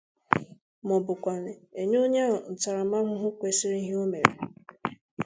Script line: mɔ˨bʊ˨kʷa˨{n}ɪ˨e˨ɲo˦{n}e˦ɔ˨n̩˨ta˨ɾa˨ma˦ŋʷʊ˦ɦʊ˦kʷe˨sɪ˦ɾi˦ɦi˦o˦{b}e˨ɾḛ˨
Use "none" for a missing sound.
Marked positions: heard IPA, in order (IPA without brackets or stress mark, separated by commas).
n, ɲ, m